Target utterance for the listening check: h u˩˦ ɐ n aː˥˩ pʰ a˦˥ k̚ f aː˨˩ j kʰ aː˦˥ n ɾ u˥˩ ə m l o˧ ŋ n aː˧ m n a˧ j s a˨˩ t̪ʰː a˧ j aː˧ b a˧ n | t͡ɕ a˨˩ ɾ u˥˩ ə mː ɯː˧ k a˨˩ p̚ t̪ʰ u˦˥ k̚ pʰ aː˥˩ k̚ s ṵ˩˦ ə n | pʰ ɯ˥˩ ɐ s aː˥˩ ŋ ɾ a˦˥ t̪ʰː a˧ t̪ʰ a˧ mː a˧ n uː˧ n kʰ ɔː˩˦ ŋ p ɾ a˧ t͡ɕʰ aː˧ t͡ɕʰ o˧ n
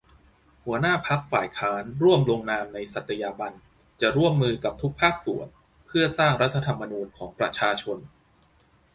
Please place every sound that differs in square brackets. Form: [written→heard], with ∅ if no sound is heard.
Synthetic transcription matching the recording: h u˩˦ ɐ n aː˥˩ pʰ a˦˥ k̚ f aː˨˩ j kʰ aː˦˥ n ɾ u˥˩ ə m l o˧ ŋ n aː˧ m n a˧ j s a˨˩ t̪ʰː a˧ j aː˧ b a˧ n | t͡ɕ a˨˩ ɾ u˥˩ ə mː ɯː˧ k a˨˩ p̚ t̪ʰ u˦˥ k̚ pʰ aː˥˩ k̚ s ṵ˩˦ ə n | pʰ ɯ˥˩ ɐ s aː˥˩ ŋ ɾ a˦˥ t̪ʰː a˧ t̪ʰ a˧ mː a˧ n uː˧ n kʰ ɔː˩˦ ŋ p ɾ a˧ t͡ɕʰ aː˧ t͡ɕʰ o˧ n